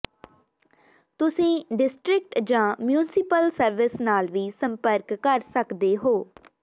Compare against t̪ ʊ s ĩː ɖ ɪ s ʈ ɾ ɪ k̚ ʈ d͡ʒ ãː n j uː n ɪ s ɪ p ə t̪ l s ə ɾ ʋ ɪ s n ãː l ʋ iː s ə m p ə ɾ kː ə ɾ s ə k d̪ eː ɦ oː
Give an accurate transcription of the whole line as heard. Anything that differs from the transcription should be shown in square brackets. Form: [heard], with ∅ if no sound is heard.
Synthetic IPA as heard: t̪ ʊ s ĩː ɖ ɪ s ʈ ɾ ɪ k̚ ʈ d͡ʒ ãː [m] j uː n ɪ s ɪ p ə [∅] l s ə ɾ ʋ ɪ s n [aː] l ʋ iː s ə m p ə ɾ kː ə ɾ s ə k d̪ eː ɦ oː

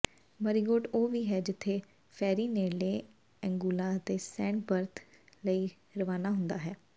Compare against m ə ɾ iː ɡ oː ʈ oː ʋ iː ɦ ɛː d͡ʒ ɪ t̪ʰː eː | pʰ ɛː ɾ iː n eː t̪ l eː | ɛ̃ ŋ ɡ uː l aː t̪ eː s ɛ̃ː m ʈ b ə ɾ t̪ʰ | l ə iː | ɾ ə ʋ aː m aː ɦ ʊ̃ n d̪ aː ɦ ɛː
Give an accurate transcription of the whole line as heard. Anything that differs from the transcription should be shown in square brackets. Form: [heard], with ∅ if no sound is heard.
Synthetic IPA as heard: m ə ɾ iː ɡ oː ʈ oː ʋ iː ɦ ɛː d͡ʒ ɪ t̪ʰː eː | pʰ ɛː ɾ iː n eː [∅] l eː | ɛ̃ ŋ ɡ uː l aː t̪ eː s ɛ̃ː [ɳ] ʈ b ə ɾ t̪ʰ | l ə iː | ɾ ə ʋ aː [n] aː ɦ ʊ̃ n d̪ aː ɦ ɛː

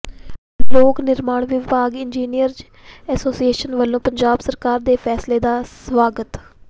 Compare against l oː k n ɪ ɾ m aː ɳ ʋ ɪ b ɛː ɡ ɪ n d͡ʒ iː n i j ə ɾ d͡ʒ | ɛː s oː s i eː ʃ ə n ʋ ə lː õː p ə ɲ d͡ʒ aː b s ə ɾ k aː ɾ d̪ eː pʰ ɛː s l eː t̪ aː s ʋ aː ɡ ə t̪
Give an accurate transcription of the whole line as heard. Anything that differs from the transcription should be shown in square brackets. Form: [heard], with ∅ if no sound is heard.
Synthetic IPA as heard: l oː k n ɪ ɾ m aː ɳ ʋ ɪ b [aː] ɡ ɪ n d͡ʒ iː n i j ə ɾ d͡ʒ | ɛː s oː s i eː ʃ ə n ʋ ə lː õː p ə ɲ d͡ʒ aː b s ə ɾ k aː ɾ d̪ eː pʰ ɛː s l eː [d̪] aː s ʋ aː ɡ ə t̪

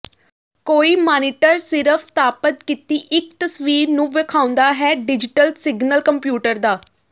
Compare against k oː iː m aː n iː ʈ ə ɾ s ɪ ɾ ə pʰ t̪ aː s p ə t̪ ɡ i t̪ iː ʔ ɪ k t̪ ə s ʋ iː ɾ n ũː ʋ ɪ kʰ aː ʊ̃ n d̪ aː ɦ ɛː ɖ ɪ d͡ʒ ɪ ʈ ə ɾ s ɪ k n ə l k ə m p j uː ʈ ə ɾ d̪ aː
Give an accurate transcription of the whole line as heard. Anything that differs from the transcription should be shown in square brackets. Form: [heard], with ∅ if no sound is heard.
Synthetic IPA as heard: k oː iː m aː n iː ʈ ə ɾ s ɪ ɾ ə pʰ t̪ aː [∅] p ə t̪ [k] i t̪ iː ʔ ɪ k t̪ ə s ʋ iː ɾ n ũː ʋ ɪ kʰ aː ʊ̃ n d̪ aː ɦ ɛː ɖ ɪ d͡ʒ ɪ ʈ ə [l] s ɪ [ɡ] n ə l k ə m p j uː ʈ ə ɾ d̪ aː

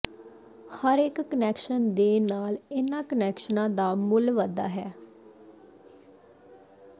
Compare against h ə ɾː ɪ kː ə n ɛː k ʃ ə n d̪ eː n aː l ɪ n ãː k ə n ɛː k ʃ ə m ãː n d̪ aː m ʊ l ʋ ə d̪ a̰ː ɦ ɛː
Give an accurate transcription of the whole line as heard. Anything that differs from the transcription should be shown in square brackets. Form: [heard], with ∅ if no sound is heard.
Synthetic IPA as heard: h ə [ɾ] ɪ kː ə n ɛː k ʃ ə n d̪ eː n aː l ɪ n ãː k ə n ɛː k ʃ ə [n] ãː [∅] d̪ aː m ʊ l ʋ ə d̪ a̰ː ɦ ɛː

